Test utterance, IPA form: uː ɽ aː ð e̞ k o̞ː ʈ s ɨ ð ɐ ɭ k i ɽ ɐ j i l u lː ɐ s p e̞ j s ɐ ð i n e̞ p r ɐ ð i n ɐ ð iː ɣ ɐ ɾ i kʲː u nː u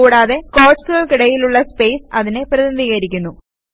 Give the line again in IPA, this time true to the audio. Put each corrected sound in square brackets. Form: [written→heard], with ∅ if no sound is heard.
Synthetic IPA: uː ɽ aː ð e̞ k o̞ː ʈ s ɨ [ð→ɣ] ɐ ɭ k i ɽ ɐ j i l u [lː→ɭː] ɐ s p e̞ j s ɐ ð i n e̞ p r ɐ ð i n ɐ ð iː ɣ ɐ ɾ i kʲː u nː u